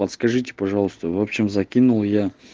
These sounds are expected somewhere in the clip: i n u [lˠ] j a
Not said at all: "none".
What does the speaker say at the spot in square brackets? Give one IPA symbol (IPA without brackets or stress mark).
lˠ